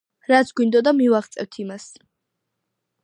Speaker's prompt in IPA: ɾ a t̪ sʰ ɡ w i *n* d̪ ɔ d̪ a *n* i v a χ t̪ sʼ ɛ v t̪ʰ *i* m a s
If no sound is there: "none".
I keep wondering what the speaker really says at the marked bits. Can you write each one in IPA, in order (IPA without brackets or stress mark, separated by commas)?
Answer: n, m, i